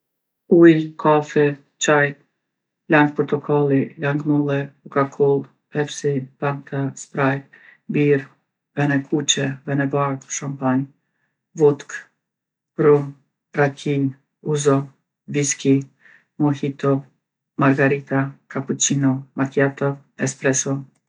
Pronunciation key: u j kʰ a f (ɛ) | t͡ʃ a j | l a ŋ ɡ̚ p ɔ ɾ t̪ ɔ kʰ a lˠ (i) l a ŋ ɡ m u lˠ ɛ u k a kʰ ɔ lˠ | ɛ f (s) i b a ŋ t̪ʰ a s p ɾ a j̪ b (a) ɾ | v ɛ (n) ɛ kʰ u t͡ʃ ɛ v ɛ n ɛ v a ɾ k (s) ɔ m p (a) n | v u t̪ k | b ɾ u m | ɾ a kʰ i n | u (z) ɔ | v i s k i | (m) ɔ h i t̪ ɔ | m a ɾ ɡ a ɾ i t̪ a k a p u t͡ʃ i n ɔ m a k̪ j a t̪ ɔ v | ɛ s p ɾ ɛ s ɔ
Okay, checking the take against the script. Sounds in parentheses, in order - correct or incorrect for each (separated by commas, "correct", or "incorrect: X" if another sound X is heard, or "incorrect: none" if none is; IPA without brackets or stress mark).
correct, correct, correct, incorrect: i, correct, incorrect: ʃ, correct, correct, correct